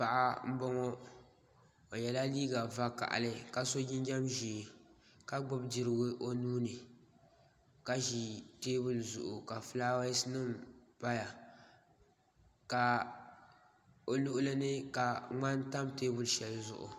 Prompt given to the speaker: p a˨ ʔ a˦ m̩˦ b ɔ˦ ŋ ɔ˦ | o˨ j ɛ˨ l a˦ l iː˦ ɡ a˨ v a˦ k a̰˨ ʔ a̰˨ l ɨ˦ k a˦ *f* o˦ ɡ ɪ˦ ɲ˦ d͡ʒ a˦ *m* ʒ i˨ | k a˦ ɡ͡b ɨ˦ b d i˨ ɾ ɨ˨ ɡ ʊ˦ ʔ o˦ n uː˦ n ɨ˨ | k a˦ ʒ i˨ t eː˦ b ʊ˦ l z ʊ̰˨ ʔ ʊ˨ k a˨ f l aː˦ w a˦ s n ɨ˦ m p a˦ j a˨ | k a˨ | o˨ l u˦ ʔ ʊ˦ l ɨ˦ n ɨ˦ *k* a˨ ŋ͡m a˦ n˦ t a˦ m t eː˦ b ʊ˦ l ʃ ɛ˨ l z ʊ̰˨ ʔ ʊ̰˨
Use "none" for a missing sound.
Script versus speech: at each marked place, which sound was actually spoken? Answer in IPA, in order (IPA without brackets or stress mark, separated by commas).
s, m, k